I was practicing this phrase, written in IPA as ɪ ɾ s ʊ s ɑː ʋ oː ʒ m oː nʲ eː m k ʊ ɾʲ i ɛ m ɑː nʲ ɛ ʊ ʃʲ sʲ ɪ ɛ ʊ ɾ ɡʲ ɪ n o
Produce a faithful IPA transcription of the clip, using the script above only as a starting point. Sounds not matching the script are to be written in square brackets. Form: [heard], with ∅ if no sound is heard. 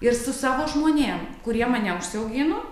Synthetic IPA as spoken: ɪ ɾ s ʊ s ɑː ʋ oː ʒ m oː nʲ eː m k ʊ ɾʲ i ɛ m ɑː nʲ ɛ ʊ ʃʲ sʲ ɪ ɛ ʊ [∅] ɡʲ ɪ n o